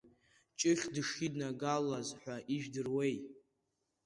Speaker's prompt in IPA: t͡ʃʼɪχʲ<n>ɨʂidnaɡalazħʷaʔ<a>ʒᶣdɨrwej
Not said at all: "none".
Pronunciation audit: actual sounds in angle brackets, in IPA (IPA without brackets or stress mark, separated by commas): d, i